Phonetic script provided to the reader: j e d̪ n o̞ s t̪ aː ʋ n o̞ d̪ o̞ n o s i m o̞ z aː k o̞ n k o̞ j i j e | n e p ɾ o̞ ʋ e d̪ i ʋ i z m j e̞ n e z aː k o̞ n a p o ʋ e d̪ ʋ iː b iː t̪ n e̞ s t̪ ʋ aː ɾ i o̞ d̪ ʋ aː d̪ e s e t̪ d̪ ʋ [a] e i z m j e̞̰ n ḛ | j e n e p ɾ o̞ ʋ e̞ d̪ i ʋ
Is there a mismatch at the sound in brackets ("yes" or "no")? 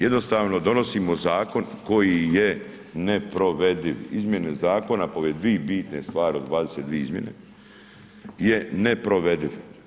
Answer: yes